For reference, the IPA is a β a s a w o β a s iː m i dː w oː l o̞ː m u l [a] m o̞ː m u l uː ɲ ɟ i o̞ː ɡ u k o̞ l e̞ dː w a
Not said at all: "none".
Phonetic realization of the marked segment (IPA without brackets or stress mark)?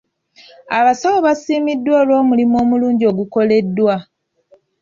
i